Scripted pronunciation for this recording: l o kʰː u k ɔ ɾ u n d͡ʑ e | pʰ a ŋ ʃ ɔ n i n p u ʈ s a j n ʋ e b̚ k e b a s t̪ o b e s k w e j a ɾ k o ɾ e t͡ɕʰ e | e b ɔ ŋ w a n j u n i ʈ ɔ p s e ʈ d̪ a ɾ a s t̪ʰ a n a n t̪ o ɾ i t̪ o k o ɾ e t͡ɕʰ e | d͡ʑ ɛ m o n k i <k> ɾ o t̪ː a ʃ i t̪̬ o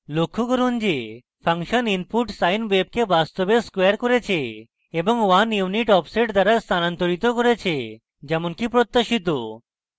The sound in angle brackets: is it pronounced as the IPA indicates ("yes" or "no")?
no